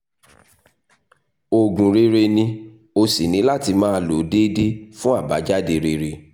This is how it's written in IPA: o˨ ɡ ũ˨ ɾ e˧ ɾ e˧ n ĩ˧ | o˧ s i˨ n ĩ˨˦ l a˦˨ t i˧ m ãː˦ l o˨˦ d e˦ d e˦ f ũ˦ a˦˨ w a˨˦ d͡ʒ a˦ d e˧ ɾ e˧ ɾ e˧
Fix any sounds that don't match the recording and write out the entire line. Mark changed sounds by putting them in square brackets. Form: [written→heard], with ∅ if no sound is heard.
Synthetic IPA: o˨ ɡ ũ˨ ɾ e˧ ɾ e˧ n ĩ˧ | o˧ s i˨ n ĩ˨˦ l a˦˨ t i˧ m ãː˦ l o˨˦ d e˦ d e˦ f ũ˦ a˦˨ [w→b] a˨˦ d͡ʒ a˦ d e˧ ɾ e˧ ɾ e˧